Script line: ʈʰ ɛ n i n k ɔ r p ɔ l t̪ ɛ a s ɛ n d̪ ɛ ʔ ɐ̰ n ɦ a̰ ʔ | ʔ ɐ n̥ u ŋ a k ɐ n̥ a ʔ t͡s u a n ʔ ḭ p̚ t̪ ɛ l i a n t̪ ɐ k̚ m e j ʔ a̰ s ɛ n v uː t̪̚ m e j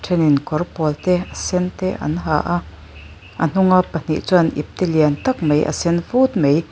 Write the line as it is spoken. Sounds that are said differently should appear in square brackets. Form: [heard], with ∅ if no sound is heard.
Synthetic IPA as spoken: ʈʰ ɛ n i n k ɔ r p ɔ l t̪ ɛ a s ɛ n [t̪] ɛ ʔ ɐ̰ n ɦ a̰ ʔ | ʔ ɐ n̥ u ŋ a [p] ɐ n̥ [i] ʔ t͡s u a n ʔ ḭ p̚ t̪ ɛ l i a n t̪ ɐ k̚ m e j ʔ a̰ s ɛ n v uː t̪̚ m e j